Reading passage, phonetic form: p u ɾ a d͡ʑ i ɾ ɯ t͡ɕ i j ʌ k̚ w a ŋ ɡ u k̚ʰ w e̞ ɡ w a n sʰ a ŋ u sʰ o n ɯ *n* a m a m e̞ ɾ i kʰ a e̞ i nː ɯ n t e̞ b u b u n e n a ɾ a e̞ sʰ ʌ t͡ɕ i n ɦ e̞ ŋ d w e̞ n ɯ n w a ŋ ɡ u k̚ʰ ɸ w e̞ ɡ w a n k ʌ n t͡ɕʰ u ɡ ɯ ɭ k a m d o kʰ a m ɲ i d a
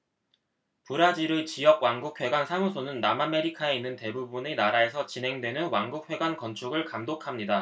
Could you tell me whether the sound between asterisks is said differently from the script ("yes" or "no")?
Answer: yes